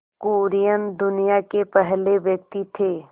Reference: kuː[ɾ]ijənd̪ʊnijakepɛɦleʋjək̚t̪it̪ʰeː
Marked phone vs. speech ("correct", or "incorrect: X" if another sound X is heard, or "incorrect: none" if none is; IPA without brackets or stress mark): correct